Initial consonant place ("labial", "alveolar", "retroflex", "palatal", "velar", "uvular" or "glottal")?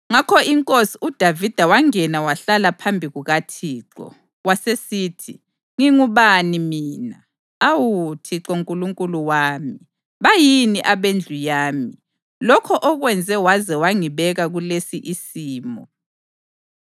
velar